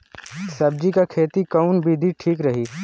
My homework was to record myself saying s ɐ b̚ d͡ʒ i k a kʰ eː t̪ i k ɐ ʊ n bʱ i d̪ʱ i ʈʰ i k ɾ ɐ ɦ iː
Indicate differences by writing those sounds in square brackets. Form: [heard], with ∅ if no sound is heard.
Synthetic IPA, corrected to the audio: s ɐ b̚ d͡ʒ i k a kʰ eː t̪ i k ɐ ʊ n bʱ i d̪ʱ i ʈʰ [iː] k ɾ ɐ ɦ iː